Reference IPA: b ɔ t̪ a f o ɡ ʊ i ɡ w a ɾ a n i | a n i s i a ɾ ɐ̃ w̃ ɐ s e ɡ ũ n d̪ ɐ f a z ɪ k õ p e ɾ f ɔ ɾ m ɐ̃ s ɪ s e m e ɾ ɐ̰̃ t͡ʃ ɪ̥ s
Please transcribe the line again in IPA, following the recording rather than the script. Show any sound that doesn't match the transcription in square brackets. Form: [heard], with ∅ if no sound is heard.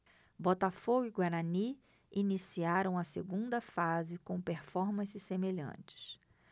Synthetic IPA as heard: b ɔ t̪ a f o ɡ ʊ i ɡ w a ɾ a n i | [i] n i s i a ɾ ɐ̃ w̃ ɐ s e ɡ ũ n d̪ ɐ f a z ɪ k õ p e ɾ f ɔ ɾ m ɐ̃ s ɪ s e m e [ʎ] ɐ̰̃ t͡ʃ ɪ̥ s